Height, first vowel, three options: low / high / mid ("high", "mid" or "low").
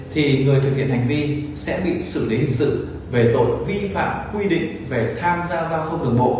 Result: high